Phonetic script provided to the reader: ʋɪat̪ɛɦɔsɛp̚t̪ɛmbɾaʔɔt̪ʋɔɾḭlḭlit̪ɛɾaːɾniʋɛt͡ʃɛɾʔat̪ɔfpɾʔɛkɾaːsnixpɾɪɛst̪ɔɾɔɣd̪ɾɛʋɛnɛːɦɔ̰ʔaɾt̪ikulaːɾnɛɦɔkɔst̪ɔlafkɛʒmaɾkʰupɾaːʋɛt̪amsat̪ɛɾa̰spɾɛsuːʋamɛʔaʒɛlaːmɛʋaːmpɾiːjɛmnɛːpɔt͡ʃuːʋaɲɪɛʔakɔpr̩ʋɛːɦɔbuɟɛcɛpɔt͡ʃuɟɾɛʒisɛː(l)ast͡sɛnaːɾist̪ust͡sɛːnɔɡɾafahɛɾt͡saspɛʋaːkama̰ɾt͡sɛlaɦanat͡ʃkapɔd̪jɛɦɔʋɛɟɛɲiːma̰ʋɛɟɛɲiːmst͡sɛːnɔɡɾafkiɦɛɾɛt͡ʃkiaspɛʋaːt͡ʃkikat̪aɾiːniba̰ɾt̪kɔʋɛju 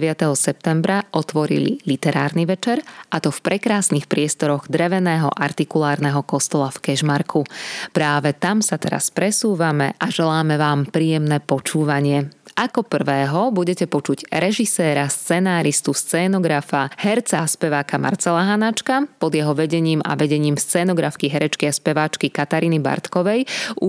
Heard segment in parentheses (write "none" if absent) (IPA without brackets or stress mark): ɾ